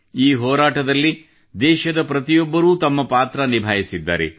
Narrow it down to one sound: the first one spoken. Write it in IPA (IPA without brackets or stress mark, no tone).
iː